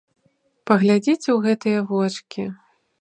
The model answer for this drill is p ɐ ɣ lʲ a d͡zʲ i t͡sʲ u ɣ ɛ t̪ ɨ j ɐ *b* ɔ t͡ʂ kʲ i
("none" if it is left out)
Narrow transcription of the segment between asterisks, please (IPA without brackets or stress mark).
v